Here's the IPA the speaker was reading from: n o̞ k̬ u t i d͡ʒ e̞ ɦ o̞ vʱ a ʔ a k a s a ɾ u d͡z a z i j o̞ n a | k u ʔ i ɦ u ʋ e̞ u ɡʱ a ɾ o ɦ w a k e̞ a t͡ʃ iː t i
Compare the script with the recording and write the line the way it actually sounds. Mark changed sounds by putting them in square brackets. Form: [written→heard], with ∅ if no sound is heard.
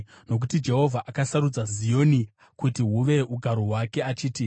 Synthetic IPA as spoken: n o̞ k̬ u t i d͡ʒ e̞ ɦ o̞ vʱ a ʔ a k a s a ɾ u d͡z a z i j o̞ n [a→i] | k u [ʔ→t] i ɦ u ʋ e̞ u ɡʱ a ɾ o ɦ w a k e̞ a t͡ʃ iː t i